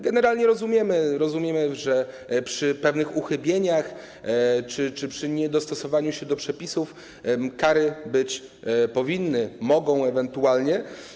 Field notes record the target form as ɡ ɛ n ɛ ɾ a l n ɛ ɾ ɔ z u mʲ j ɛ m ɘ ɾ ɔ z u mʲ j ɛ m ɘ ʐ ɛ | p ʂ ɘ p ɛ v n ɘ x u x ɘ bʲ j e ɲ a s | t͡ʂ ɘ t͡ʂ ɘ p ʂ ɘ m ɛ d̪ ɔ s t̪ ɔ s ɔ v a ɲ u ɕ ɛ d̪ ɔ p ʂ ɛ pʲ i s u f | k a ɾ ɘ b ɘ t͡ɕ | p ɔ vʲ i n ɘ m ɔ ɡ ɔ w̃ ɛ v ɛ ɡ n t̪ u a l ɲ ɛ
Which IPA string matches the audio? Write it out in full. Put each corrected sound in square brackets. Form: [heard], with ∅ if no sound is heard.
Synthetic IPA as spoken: ɡ ɛ n ɛ ɾ a l [ɲ] ɛ ɾ ɔ z u mʲ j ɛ m ɘ ɾ ɔ z u mʲ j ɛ m ɘ ʐ ɛ | p ʂ ɘ p ɛ v n ɘ x u x ɘ bʲ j e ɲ a [x] | t͡ʂ ɘ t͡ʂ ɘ p ʂ ɘ [ɲ] ɛ d̪ ɔ s t̪ ɔ s ɔ v a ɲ u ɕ ɛ d̪ ɔ p ʂ ɛ pʲ i s u f | k a ɾ ɘ b ɘ t͡ɕ | p ɔ vʲ i [nː] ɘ m ɔ ɡ [ɔ̃] w̃ ɛ v ɛ [∅] n t̪ u a l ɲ ɛ